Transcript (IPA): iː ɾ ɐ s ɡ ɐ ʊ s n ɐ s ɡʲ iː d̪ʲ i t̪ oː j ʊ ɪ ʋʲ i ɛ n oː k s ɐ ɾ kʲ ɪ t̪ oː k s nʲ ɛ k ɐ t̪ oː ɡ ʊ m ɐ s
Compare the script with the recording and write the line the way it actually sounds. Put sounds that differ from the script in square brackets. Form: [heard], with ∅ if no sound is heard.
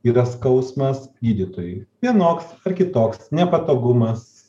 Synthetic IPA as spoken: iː ɾ ɐ s [k] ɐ ʊ s [m] ɐ s ɡʲ iː d̪ʲ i t̪ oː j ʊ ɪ ʋʲ i ɛ n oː k s ɐ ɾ kʲ ɪ t̪ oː k s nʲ ɛ [p] ɐ t̪ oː ɡ ʊ m ɐ s